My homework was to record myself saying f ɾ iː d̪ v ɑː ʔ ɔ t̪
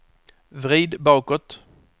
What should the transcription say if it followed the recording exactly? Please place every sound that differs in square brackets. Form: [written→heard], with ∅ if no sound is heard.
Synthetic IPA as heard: [f→v] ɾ iː d̪ [v→b] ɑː [ʔ→k] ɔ t̪